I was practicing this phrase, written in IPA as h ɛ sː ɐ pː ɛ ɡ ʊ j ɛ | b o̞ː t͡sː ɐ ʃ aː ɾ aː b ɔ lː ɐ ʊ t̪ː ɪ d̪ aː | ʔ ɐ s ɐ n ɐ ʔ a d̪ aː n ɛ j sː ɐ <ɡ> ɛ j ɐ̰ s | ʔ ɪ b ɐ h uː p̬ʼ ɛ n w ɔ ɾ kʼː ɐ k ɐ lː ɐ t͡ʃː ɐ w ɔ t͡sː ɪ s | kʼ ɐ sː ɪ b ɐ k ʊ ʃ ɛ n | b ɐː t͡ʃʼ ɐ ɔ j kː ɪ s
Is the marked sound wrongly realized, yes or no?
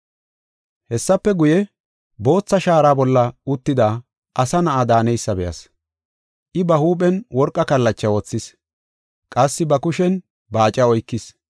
yes